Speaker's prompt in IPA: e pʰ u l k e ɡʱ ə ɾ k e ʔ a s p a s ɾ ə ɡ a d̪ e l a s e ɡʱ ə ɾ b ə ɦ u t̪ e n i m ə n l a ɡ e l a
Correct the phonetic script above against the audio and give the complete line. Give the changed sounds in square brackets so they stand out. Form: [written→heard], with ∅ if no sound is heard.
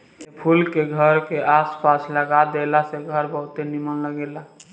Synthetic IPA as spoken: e pʰ u l k e ɡʱ ə ɾ k e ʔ a s p a s [ɾ→l] ə ɡ a d̪ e l a s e ɡʱ ə ɾ b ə ɦ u t̪ e n i m ə n l [a→ə] ɡ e l a